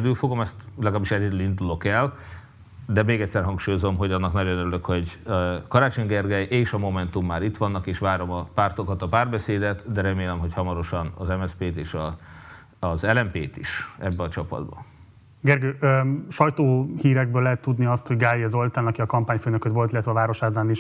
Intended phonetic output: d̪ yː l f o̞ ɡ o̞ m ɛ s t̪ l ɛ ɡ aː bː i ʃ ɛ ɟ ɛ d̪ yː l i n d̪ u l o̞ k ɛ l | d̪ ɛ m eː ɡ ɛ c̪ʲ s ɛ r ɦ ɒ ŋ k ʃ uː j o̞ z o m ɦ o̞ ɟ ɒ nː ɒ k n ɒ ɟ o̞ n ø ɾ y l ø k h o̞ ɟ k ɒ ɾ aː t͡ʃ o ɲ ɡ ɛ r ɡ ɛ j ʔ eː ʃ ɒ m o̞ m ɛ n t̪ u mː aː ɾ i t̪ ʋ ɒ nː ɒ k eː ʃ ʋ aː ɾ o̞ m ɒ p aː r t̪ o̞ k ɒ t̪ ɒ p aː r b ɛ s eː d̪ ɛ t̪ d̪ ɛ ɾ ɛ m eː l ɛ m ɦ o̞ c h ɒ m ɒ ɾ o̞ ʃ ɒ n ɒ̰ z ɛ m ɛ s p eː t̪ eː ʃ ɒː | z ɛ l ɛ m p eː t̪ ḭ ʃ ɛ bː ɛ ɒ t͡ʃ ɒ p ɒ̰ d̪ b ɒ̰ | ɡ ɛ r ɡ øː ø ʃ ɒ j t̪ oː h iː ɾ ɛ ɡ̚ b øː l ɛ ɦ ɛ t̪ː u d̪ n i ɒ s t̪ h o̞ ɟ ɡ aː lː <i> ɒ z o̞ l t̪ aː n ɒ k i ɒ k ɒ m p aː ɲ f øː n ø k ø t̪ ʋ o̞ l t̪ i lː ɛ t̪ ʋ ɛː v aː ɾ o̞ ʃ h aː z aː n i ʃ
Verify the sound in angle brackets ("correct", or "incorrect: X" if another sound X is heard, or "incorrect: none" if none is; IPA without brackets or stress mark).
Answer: correct